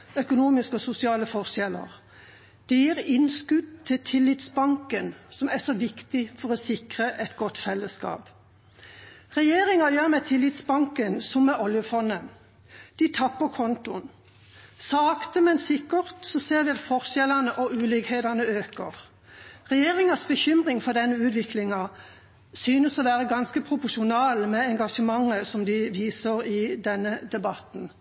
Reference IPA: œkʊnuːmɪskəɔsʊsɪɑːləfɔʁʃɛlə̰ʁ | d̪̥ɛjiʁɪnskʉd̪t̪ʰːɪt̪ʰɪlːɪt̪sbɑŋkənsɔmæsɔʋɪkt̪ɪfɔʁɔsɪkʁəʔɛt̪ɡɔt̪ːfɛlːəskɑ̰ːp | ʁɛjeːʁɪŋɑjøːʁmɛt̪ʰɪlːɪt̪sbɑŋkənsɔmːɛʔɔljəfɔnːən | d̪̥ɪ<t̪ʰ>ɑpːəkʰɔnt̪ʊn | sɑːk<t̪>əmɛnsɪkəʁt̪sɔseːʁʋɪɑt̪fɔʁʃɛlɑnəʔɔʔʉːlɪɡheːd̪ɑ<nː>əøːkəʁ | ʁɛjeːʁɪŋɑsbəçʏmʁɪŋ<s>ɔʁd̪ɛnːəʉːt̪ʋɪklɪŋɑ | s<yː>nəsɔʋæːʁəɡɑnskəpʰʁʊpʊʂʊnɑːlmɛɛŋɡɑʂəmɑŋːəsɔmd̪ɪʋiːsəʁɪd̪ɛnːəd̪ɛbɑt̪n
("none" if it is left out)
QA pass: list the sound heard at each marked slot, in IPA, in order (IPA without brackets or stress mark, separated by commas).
t̪ʰ, t̪, n, f, yː